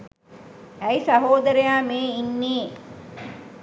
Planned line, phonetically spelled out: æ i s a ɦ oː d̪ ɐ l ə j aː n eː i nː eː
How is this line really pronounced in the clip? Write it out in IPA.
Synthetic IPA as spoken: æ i s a ɦ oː d̪ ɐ ɾ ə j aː m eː i nː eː